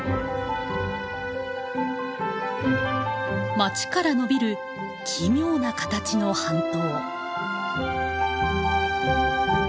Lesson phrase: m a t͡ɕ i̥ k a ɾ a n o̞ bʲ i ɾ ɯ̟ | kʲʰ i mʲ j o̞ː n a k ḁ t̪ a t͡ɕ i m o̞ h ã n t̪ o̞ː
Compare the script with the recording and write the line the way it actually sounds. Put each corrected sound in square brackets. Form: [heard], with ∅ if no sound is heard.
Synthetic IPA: m a t͡ɕ i̥ k a ɾ a n o̞ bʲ i ɾ ɯ̟ | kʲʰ i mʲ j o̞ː n a k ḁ t̪ a t͡ɕ i [n] o̞ h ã n t̪ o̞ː